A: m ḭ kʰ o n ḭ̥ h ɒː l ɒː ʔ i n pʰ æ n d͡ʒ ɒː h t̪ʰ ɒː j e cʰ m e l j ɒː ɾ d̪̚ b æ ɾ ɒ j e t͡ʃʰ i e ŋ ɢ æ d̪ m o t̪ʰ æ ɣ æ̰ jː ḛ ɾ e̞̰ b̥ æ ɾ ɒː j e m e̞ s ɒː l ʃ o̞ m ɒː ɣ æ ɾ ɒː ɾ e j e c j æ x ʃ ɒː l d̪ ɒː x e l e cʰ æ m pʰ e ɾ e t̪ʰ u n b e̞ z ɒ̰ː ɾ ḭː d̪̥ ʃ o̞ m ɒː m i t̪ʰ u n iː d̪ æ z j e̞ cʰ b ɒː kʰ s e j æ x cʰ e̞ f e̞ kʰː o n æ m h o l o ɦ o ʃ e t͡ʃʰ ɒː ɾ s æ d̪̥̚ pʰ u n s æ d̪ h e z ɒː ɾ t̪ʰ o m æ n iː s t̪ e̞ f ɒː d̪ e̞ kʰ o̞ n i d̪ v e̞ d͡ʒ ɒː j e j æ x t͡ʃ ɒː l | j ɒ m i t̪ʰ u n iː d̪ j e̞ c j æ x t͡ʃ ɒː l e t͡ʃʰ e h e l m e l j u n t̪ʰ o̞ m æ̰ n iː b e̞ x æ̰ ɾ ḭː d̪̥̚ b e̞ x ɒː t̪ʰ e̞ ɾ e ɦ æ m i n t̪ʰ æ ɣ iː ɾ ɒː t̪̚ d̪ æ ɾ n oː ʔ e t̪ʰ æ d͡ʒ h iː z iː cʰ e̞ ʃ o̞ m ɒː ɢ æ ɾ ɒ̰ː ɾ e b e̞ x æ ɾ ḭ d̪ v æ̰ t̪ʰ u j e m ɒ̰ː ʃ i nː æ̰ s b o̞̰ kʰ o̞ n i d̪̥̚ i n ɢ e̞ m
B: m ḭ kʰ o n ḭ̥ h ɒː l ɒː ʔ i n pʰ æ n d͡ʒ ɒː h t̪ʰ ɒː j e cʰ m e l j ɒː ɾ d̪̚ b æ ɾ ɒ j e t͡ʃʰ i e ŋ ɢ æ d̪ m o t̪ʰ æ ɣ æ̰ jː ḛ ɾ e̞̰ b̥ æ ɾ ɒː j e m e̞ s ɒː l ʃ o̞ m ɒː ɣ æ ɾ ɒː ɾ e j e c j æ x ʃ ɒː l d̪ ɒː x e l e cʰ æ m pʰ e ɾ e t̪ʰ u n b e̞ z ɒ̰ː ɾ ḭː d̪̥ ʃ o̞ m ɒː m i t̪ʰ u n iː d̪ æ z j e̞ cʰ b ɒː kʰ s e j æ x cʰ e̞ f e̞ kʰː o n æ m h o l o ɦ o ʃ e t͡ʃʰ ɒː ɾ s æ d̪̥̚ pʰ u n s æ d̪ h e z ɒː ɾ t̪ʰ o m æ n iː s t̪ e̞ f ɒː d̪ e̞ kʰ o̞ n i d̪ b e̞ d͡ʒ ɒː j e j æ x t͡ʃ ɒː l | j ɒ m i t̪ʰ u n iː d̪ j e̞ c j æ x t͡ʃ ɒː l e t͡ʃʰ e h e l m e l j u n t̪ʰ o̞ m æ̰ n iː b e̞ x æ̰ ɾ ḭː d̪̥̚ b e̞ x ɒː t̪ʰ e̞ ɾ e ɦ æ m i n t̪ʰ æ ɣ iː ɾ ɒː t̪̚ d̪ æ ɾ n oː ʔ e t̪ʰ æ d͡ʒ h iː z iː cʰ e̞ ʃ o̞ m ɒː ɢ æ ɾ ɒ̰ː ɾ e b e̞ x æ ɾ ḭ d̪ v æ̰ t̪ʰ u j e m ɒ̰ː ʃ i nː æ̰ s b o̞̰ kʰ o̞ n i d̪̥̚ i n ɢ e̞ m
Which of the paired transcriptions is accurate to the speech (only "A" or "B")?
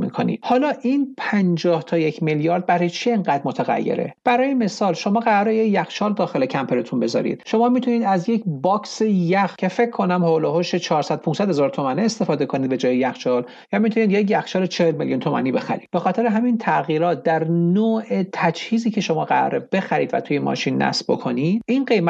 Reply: B